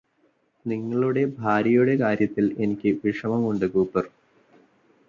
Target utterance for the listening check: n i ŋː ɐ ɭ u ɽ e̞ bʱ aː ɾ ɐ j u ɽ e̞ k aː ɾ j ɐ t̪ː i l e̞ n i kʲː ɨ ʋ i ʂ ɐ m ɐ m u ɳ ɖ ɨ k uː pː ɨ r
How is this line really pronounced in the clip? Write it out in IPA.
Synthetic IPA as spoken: n i ŋː ɐ ɭ u ɽ e̞ bʱ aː ɾ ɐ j u ɽ e̞ k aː ɾ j ɐ t̪ː i l e̞ n i kʲː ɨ ʋ i ʂ ɐ m ɐ m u ɳ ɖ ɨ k uː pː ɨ r